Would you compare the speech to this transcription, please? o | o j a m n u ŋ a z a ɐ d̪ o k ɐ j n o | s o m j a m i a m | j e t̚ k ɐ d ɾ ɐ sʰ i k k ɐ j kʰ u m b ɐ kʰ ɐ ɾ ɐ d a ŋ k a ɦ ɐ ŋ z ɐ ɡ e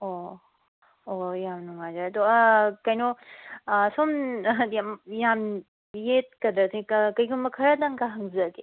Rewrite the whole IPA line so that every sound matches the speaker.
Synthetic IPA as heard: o | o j a m n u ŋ a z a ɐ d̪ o k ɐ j n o | s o m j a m j a m | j e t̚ k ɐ d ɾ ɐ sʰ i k k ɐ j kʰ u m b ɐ kʰ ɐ ɾ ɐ d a ŋ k a ɦ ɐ ŋ z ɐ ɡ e